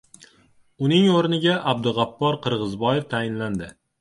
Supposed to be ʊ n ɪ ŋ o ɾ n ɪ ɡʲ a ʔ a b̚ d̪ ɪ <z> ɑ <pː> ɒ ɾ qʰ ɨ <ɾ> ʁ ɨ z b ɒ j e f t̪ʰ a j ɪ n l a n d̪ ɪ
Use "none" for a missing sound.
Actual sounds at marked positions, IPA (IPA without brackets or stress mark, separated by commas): ʁ, pː, ɾ